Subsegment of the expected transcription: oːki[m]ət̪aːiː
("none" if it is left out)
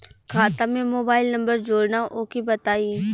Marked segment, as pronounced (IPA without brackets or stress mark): b